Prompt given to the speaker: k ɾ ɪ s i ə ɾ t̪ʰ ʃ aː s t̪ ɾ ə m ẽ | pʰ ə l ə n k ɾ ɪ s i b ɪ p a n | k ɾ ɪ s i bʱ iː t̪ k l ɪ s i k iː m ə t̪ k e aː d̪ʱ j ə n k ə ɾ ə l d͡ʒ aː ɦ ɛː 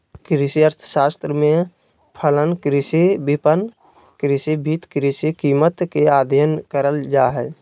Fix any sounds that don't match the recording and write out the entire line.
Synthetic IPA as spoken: k ɾ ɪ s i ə ɾ t̪ʰ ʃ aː s t̪ ɾ ə m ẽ | pʰ ə l ə n k ɾ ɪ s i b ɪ p ə n | k ɾ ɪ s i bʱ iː t̪ k ɾ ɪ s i k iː m ə t̪ k e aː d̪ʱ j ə n k ə ɾ ə l d͡ʒ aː ɦ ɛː